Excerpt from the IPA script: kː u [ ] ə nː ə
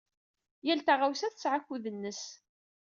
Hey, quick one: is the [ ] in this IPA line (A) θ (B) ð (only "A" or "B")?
B